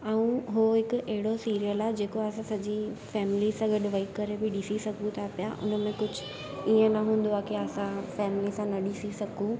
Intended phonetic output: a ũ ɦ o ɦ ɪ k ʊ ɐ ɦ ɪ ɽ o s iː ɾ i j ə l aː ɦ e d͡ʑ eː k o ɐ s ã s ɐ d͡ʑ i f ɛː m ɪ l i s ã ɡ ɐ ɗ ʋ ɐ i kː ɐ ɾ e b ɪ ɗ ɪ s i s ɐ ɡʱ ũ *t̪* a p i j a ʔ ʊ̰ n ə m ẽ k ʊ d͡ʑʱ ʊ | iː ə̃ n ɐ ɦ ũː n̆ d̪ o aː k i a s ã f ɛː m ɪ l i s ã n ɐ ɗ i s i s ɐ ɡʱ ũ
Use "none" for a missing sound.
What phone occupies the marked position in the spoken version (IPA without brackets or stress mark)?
t̪ʰ